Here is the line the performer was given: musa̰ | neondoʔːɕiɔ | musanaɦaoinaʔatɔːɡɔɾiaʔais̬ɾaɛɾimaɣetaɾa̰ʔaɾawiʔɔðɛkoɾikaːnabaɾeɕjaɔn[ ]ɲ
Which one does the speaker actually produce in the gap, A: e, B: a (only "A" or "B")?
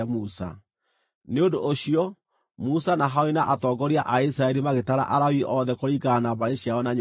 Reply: B